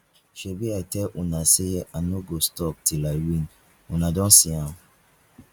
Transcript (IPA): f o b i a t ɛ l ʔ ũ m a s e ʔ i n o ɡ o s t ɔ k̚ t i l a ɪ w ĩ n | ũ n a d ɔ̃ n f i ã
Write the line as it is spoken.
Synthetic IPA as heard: ʃ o b i a t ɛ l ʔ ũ n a s e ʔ a n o ɡ o s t ɔ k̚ t i l a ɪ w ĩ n | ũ n a d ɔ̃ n s i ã